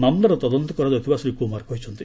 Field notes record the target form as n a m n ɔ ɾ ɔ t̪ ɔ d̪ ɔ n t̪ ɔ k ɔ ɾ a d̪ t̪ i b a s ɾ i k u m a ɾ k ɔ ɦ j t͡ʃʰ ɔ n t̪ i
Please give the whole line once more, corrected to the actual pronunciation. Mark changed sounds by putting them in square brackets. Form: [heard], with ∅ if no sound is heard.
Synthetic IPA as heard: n a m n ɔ ɾ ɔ t̪ ɔ d̪ ɔ n t̪ ɔ k ɔ ɾ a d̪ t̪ i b a s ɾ i k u m a ɾ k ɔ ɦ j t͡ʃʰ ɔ n t̪ i